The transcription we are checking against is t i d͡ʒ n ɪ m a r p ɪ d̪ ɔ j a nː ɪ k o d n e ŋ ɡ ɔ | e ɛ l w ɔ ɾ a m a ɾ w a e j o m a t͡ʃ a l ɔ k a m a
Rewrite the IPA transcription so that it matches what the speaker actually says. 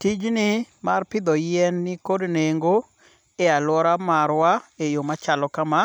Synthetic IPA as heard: t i d͡ʒ n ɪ m a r p ɪ d̪ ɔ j ɛ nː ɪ k o d n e ŋ ɡ o | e a l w ɔ ɾ a m a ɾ w a e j o m a t͡ʃ a l ɔ k a m a